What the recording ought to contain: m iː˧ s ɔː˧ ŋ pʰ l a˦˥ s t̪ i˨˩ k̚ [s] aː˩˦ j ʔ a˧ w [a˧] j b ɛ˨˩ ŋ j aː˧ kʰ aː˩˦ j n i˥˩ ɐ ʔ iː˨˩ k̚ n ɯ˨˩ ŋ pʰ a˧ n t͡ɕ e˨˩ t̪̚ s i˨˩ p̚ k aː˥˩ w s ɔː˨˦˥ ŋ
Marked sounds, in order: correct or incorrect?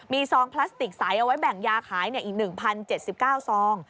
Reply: correct, incorrect: a˦˥

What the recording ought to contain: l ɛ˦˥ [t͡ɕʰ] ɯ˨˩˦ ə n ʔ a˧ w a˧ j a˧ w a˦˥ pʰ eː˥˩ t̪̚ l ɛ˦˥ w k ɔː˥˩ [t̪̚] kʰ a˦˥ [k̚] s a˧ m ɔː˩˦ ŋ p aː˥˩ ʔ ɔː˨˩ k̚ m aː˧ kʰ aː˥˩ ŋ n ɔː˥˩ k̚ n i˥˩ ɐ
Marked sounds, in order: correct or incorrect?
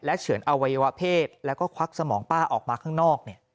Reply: correct, incorrect: none, correct

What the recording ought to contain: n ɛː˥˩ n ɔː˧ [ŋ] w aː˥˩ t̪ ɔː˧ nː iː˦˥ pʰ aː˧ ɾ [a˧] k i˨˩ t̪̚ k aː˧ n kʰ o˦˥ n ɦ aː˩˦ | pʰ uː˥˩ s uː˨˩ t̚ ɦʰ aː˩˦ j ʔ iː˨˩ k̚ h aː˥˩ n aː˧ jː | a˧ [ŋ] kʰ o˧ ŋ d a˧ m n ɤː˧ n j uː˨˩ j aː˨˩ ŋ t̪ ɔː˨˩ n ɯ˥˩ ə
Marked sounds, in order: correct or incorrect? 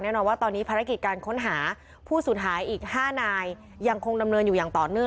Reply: incorrect: n, incorrect: a˦˥, correct

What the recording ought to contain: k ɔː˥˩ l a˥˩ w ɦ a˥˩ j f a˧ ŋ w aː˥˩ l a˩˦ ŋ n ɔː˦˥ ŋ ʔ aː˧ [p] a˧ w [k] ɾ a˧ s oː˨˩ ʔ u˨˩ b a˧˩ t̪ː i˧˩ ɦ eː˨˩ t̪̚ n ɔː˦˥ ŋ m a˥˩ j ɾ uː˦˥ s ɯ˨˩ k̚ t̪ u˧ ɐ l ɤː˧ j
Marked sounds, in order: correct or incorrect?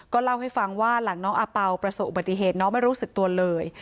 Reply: correct, incorrect: p

